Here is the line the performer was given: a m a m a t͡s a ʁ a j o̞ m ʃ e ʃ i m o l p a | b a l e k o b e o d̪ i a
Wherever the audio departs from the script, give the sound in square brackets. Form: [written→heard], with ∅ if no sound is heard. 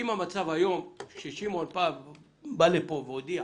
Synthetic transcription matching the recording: [a→i] m a m a t͡s a [ʁ→v] a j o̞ m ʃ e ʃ i m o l p a | b a l e [k→p] o [b→v] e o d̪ i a